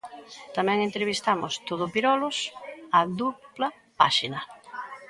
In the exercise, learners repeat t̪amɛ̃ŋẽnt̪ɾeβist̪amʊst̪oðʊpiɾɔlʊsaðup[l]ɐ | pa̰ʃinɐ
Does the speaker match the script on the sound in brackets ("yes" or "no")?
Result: yes